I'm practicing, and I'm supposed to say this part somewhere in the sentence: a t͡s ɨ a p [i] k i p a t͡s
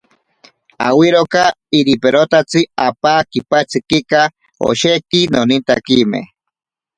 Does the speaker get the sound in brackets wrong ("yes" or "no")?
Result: yes